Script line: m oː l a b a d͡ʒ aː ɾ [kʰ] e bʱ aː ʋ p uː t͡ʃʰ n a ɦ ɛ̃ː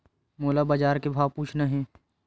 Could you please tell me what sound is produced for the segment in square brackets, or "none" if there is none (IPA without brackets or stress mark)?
k